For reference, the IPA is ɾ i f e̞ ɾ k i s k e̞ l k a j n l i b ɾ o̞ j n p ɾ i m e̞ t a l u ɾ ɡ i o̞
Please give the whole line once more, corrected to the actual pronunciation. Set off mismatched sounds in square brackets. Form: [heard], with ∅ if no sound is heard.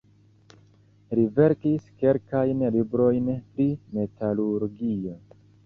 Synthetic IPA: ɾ i [v] e̞ ɾ k i s k e̞ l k a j n l i b ɾ o̞ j n p ɾ i m e̞ t a l u ɾ ɡ i o̞